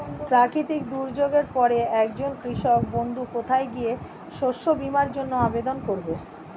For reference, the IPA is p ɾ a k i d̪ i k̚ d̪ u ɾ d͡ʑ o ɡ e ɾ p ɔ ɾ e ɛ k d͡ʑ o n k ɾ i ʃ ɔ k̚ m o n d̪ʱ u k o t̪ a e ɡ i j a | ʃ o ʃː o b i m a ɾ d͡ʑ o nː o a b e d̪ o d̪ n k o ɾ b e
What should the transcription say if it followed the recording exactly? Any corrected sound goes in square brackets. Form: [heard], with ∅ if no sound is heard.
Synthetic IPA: p ɾ a k i [t̪] i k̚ d̪ u ɾ d͡ʑ o ɡ e ɾ p ɔ ɾ e ɛ k d͡ʑ o n k ɾ i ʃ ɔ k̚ [b] o n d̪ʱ u k o [t̪ʰ] a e ɡ i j [e] | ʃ o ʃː o b i m a ɾ d͡ʑ o nː o a b e d̪ o [∅] n k o ɾ b e